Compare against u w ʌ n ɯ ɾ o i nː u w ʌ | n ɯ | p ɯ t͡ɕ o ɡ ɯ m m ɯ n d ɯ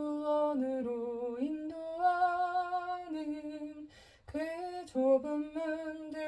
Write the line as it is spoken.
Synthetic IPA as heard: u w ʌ n ɯ ɾ o i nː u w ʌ | n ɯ | k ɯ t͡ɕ o b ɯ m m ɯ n d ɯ